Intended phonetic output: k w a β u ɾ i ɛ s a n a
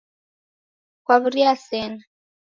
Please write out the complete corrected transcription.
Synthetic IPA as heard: k w a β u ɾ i a s ɛ n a